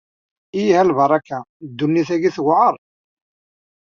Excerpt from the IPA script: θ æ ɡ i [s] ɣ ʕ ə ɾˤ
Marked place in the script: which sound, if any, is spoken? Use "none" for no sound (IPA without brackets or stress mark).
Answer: θ